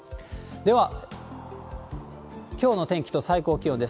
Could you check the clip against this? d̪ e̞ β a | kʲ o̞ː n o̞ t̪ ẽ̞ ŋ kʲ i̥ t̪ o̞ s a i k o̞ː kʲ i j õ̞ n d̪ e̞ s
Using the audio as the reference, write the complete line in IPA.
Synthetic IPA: d̪ e̞ β a | kʲ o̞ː n o̞ t̪ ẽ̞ ŋ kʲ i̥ t̪ o̞ s a i k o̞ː kʲ i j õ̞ n d̪ e̞ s